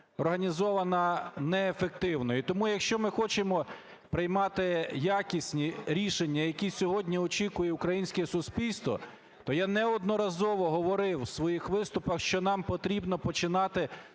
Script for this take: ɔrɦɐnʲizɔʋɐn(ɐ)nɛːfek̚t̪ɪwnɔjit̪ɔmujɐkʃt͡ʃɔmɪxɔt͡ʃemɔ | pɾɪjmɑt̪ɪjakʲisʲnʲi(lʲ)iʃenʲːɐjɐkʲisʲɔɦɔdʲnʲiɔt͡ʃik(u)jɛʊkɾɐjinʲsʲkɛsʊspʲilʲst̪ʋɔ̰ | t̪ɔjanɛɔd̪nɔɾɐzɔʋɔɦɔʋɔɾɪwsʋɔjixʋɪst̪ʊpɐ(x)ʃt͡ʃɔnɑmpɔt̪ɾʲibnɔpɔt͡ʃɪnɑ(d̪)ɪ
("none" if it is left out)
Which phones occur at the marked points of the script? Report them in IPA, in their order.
ɐ, ɾʲ, ʊ, x, t̪

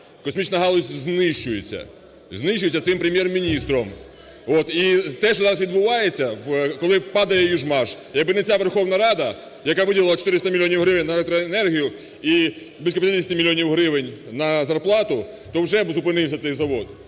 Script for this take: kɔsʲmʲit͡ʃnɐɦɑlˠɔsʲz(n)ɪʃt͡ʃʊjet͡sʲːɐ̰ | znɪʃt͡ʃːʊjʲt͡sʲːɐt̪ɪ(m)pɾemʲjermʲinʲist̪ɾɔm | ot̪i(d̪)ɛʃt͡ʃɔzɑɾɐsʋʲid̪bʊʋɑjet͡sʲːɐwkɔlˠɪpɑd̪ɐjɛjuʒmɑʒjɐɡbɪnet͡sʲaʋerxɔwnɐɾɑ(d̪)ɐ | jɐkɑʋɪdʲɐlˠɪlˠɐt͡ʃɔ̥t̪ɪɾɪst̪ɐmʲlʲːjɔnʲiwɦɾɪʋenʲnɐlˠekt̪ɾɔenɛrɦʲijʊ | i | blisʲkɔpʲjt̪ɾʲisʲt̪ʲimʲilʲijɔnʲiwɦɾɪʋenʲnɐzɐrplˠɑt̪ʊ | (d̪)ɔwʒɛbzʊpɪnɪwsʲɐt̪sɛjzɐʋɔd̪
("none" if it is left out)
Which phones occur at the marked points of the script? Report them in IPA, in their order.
n, m, t̪, d̪, t̪

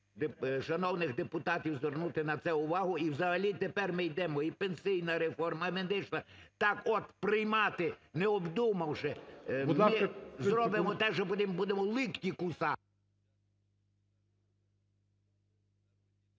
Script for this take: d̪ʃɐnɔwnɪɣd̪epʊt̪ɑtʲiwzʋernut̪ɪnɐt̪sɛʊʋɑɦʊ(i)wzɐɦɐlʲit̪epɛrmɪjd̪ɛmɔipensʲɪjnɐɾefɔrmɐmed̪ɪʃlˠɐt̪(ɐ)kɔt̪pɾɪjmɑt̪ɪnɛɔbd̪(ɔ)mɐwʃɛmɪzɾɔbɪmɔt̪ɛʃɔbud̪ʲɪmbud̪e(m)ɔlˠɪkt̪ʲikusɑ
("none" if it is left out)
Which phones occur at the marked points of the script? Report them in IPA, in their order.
i, ɑ, u, m

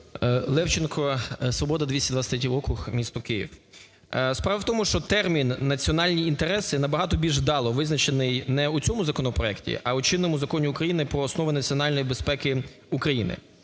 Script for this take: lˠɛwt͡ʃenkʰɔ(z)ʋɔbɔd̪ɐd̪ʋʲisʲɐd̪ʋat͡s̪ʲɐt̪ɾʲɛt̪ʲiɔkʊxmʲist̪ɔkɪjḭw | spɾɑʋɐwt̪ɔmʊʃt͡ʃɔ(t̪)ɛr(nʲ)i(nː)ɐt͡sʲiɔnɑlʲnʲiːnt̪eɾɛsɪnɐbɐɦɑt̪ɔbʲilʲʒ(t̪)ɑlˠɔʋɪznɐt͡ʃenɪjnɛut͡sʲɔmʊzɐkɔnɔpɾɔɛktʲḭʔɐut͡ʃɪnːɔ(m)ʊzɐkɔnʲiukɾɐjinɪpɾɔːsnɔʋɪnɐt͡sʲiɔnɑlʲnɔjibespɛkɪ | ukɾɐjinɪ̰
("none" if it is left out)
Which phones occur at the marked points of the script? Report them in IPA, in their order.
s, t̪, mʲ, nː, d̪, m

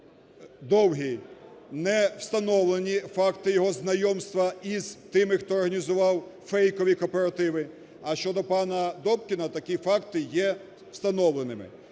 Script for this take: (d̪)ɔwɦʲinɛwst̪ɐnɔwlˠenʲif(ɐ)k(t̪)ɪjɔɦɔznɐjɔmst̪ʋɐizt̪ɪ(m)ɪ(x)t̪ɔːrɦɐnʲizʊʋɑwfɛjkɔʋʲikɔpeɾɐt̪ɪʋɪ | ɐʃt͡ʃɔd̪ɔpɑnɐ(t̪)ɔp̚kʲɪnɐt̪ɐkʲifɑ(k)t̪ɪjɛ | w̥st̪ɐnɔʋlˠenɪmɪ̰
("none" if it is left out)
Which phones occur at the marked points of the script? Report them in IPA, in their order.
d̪, ɑ, t̪, m, x, d̪, k

